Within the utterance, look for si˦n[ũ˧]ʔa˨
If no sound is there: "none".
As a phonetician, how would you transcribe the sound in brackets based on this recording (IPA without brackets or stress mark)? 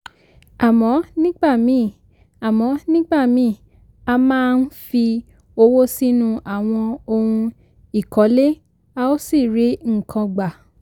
ũ˧